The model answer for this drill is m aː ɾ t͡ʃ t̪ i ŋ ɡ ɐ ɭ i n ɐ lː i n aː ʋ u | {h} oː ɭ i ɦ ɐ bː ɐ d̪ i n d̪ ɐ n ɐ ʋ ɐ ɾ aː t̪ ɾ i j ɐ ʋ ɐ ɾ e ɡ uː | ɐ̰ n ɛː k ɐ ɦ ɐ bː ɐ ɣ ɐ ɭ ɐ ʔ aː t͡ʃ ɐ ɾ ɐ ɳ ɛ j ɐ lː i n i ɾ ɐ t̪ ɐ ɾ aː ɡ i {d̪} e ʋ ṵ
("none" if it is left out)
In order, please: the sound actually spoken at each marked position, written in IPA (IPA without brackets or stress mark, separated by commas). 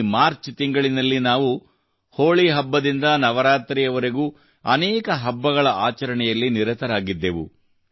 h, d̪ː